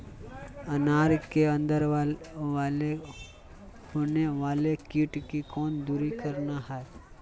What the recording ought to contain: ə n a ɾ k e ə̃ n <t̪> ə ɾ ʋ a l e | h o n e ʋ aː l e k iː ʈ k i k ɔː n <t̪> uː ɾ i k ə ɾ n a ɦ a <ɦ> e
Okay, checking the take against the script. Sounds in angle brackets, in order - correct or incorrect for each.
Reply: incorrect: d̪, incorrect: d̪, incorrect: none

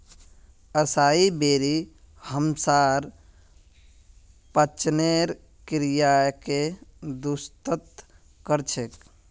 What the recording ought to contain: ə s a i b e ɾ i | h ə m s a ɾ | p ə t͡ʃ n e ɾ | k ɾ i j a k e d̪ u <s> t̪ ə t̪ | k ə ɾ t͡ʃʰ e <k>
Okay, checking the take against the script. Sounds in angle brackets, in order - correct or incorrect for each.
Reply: correct, correct

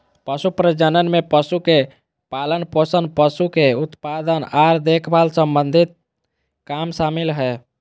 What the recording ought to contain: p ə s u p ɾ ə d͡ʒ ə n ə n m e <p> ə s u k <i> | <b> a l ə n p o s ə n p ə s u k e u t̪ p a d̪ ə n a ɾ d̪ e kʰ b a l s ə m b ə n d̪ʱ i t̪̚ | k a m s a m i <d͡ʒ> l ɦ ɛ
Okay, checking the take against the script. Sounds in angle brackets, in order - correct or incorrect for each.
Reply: correct, incorrect: e, incorrect: p, incorrect: none

